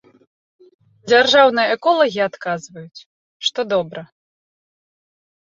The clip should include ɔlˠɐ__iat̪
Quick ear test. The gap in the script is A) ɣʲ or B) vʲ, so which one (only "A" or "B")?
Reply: A